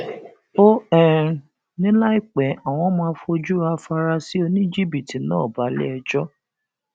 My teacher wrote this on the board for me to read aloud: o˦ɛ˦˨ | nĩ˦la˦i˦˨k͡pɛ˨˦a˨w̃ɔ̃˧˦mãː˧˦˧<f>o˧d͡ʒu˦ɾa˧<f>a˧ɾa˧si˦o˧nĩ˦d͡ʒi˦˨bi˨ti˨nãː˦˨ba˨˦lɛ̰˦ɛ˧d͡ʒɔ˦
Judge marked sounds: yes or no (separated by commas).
yes, yes